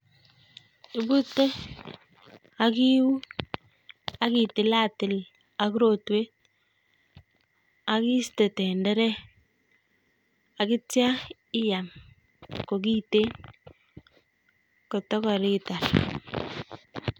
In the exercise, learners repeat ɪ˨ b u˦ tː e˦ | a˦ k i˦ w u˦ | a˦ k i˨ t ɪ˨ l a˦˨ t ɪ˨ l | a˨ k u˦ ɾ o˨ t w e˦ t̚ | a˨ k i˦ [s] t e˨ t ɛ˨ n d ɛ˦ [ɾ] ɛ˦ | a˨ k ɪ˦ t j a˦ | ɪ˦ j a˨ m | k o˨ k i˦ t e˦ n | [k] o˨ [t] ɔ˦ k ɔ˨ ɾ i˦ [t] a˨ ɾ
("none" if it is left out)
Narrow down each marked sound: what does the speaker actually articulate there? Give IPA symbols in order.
s, ɾ, k, t, t

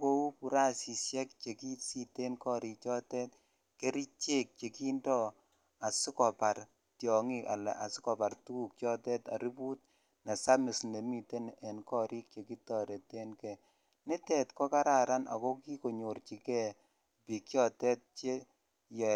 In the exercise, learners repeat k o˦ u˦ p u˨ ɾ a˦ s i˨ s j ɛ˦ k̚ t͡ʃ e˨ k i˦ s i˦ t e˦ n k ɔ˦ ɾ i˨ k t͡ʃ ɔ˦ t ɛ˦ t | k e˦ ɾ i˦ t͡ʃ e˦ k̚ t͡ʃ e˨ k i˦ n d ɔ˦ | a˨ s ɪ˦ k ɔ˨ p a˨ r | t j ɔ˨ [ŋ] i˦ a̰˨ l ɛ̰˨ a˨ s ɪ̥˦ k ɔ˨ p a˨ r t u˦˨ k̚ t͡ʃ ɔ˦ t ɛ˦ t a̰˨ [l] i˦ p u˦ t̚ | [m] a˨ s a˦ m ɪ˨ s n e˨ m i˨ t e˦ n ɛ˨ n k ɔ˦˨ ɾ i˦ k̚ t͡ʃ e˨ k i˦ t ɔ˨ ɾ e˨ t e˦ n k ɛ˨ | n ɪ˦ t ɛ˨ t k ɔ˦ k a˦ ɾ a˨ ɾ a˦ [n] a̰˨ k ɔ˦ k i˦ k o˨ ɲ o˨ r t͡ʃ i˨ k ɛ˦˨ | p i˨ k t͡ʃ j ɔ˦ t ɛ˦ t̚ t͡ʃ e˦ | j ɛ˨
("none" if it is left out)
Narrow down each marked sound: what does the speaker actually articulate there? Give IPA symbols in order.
ŋ, ɾ, n, n

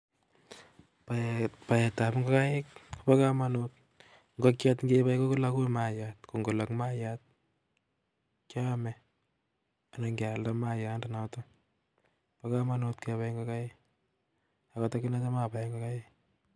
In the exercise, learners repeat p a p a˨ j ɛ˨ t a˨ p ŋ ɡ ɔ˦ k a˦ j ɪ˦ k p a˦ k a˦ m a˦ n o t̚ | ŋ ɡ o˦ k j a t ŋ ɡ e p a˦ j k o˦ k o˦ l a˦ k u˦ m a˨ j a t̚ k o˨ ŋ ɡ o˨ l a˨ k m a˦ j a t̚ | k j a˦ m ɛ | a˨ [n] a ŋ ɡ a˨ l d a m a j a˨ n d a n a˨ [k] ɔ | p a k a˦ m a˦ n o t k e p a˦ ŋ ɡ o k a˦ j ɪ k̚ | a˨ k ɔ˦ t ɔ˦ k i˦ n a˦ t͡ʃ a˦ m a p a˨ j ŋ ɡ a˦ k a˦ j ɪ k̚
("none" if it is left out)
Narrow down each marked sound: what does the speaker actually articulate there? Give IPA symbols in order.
n, t

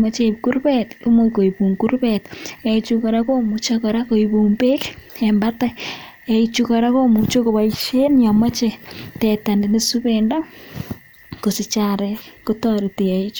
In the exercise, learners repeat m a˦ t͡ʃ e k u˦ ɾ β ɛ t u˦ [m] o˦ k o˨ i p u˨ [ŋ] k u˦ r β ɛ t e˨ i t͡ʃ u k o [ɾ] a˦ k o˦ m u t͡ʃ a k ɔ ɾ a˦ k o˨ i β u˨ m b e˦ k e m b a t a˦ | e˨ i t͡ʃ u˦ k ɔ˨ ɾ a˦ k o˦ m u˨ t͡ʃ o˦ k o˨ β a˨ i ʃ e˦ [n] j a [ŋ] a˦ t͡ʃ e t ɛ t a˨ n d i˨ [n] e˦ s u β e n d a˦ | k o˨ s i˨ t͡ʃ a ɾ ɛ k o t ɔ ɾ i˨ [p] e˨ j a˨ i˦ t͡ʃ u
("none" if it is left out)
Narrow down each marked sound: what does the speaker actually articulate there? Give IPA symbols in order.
m, ŋ, ɾ, n, m, n, t

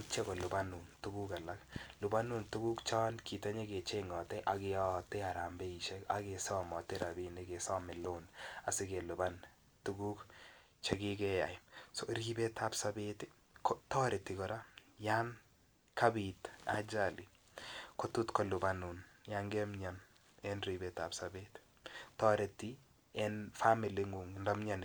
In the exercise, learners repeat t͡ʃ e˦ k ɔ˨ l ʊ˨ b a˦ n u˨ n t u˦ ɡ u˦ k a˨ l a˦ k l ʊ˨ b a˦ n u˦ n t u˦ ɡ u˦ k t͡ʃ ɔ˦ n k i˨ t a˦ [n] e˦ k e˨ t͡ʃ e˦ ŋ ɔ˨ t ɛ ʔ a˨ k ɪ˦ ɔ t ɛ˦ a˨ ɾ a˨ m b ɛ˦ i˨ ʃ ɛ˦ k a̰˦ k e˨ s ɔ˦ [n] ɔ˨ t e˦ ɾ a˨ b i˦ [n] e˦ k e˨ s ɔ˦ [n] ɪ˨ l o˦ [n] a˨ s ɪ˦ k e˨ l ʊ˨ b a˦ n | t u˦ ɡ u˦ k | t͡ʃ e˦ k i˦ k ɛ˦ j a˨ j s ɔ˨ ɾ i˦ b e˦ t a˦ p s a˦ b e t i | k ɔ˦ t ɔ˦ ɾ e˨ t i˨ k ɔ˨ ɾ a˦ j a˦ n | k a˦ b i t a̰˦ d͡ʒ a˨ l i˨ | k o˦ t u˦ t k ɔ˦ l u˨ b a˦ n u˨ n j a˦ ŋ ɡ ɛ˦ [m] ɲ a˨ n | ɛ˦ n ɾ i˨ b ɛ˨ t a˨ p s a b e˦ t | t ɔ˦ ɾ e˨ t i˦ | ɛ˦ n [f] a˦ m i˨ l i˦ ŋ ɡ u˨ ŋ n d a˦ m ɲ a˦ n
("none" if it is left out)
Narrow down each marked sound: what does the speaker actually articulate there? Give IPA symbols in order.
ɲ, m, n, m, n, m, f

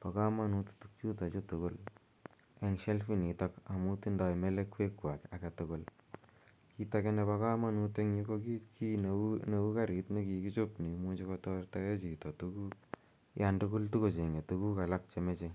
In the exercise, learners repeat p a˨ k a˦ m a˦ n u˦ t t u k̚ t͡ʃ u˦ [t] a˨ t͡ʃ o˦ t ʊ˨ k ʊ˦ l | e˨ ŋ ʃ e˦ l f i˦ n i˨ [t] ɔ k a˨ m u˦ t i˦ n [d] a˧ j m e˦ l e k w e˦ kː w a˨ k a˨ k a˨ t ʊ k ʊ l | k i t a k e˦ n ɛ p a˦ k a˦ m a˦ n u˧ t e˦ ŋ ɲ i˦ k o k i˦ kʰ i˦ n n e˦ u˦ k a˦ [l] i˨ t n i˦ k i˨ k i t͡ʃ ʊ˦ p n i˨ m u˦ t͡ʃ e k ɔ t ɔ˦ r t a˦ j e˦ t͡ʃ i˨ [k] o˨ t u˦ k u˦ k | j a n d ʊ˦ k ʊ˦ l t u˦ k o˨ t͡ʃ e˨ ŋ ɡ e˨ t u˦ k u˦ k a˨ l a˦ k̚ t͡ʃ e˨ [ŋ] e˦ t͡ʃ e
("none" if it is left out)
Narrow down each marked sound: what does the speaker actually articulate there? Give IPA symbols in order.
t, t, d, ɾ, t, m

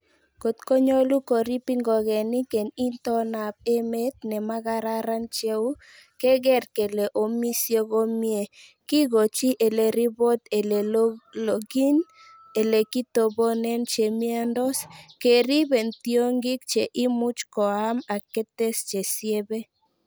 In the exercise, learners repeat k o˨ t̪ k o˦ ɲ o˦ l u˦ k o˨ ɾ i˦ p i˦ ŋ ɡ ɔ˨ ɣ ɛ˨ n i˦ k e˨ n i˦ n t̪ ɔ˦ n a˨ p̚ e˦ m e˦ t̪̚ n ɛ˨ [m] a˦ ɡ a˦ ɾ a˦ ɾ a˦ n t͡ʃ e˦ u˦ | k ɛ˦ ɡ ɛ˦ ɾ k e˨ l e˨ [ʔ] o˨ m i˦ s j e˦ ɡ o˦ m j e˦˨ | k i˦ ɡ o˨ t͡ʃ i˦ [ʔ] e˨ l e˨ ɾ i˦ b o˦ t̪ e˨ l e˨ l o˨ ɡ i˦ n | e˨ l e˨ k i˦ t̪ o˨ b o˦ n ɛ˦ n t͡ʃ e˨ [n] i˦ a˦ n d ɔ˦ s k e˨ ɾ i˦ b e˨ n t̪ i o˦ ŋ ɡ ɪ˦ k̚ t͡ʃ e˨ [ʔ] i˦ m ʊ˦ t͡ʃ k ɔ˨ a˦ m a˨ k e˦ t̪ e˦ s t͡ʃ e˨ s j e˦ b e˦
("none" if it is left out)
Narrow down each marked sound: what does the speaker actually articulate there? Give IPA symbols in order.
m, ʔ, ʔ, m, ʔ

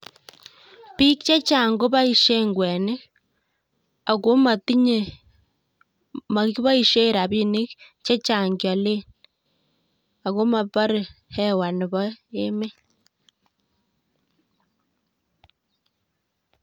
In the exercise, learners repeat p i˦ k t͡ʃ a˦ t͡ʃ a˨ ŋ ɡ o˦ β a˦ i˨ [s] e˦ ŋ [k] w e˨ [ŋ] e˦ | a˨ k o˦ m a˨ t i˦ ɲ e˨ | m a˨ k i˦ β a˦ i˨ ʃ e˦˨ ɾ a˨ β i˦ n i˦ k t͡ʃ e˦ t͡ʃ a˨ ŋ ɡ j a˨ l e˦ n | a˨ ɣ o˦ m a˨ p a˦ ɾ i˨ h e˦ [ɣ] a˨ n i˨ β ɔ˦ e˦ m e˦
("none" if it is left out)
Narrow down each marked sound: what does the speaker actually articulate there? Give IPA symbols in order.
ʃ, ɡ, n, w

